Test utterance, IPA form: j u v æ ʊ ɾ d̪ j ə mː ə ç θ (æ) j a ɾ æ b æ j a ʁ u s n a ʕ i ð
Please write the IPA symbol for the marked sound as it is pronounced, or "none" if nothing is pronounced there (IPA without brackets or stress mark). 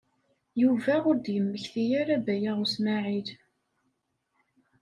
i